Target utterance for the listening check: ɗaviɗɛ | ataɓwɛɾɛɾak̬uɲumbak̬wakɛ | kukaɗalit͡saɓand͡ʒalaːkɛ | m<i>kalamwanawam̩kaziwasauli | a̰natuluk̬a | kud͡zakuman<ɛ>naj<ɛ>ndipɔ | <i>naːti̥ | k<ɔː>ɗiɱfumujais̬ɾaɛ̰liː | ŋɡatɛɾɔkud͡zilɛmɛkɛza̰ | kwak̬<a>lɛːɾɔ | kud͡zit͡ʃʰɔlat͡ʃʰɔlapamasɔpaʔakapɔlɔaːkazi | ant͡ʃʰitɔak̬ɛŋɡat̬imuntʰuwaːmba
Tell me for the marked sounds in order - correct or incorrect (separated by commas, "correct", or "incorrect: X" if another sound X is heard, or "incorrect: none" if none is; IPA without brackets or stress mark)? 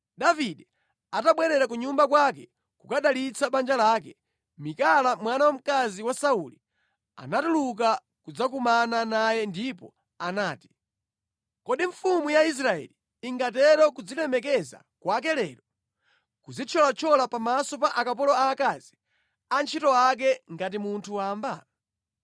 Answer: correct, incorrect: a, correct, incorrect: a, incorrect: ɔ, incorrect: ɛ